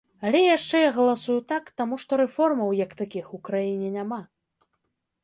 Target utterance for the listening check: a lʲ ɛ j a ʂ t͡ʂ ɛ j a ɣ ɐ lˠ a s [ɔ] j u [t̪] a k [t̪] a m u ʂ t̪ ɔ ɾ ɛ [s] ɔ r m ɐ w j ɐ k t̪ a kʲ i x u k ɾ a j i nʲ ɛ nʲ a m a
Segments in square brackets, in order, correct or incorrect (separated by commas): incorrect, correct, correct, incorrect